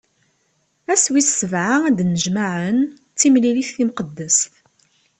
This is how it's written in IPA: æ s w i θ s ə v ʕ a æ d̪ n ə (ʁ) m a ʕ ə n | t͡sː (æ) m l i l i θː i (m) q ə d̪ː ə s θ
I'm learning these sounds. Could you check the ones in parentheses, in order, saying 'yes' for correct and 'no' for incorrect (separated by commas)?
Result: no, no, yes